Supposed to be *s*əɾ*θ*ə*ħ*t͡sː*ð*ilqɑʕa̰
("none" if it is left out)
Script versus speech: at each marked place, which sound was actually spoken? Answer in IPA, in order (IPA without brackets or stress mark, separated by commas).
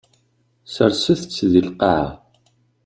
s, s, θ, ð